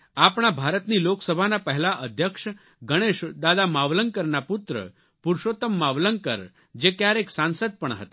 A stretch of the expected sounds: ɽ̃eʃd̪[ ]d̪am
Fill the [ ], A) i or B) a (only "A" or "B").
B